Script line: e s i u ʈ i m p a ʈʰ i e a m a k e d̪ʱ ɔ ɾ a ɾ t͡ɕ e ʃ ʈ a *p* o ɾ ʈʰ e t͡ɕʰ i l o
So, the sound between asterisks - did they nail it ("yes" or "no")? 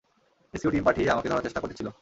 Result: no